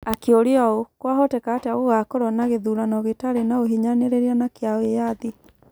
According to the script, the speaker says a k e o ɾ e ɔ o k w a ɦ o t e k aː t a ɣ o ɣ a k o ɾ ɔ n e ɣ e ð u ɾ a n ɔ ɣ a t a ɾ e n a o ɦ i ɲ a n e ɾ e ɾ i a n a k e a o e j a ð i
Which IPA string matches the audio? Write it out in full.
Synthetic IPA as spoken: a k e o ɾ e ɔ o k w a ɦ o t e k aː t a ɣ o ɣ a k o ɾ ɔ n a ɣ e ð u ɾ a n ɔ ɣ e t a ɾ e n a o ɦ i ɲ a n e ɾ e ɾ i a n a k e a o e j a ð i